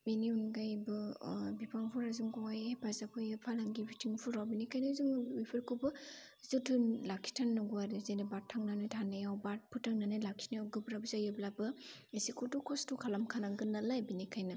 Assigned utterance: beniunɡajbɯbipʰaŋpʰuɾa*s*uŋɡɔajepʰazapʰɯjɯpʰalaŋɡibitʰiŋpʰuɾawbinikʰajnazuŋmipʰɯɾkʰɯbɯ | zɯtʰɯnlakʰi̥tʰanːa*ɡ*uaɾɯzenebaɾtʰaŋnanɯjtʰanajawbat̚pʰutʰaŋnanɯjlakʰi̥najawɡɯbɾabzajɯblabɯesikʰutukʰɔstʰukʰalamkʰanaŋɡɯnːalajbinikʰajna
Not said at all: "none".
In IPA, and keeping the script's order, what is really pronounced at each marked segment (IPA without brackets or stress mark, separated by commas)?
z, ɡ